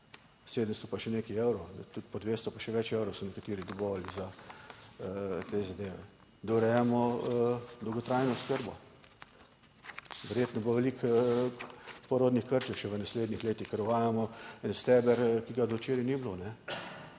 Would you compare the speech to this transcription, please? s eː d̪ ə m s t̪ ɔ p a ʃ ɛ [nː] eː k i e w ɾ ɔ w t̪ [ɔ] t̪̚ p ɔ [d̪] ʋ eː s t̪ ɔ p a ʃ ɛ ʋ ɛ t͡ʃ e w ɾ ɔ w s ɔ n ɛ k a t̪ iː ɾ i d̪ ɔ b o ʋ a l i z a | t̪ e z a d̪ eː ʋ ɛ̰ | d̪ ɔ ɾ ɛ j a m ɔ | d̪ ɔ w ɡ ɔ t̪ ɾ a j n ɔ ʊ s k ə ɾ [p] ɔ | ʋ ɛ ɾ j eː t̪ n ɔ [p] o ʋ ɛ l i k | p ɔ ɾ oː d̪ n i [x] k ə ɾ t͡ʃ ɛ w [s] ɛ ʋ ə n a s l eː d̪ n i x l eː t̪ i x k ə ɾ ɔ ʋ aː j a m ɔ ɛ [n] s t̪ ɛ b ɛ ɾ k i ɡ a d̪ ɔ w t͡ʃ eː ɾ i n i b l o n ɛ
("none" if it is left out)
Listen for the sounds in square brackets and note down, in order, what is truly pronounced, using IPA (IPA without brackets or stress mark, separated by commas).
n, u, d̪, b, b, x, ʃ, n